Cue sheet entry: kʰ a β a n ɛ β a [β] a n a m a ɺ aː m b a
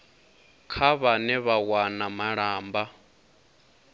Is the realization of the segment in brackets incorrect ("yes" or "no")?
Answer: yes